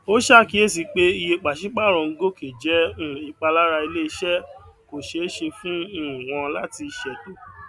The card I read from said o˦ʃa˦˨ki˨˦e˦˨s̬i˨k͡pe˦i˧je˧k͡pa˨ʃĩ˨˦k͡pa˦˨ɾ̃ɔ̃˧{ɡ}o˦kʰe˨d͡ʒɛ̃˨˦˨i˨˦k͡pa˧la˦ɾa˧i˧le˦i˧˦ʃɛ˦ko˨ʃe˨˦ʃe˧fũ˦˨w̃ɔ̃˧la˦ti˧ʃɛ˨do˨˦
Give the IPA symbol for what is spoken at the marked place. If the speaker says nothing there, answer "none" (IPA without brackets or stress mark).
ɡ